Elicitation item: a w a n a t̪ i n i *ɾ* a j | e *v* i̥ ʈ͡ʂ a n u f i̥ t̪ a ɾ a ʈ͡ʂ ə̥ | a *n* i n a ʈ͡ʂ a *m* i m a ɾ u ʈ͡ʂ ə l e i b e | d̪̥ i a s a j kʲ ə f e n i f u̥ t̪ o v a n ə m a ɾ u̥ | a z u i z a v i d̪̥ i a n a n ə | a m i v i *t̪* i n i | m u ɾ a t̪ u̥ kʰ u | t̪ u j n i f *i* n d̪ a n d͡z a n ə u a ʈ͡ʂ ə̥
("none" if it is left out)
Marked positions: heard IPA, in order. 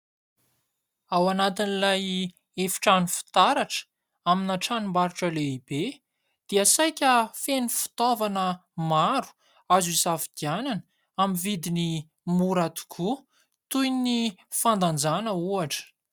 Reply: l, f, m, n, d̪, a

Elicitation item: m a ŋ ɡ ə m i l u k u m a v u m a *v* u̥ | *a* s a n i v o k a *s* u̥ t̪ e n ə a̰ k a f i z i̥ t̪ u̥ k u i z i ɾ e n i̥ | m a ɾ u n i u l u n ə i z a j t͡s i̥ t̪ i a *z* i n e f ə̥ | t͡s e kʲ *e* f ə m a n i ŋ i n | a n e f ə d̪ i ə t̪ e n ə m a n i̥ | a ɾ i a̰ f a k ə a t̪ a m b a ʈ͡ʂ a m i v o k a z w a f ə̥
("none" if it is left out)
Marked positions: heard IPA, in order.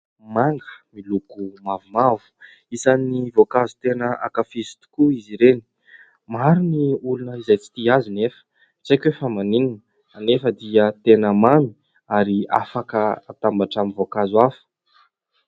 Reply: v, i, z, z, e

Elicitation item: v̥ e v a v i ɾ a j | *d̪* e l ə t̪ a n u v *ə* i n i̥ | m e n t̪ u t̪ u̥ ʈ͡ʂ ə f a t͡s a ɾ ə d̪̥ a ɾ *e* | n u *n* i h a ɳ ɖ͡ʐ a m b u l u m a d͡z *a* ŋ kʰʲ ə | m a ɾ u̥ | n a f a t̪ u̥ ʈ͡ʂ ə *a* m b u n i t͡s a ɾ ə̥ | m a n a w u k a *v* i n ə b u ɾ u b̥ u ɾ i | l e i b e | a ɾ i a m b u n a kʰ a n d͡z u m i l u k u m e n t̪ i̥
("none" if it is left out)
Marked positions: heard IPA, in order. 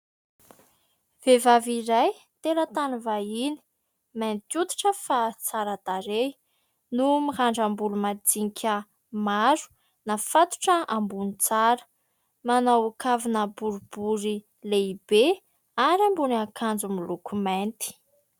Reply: t̪, a, e, m, i, a, v

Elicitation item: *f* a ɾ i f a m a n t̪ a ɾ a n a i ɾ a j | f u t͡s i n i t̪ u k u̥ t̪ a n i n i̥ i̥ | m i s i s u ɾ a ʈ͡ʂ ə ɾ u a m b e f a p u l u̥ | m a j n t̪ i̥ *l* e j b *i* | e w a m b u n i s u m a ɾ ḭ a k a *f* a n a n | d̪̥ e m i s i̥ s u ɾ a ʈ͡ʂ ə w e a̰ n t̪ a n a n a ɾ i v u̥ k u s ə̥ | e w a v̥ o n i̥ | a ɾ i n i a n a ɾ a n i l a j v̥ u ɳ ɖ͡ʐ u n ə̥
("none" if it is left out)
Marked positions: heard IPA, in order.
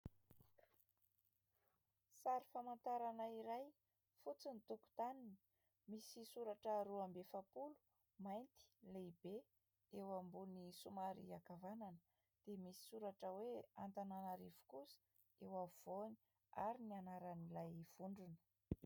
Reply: s, l, e, v

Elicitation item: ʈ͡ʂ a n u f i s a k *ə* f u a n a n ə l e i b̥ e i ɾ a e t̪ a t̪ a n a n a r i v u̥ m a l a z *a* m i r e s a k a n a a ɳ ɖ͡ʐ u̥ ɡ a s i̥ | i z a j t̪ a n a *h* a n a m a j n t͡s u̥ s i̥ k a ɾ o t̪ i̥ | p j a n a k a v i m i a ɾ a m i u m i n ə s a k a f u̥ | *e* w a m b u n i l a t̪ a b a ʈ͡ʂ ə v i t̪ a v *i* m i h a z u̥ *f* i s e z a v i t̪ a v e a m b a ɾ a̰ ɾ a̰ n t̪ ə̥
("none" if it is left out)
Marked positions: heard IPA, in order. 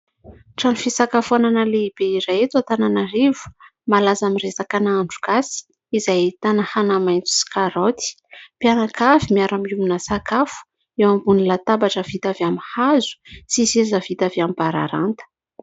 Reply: a, a, h, e, a, s

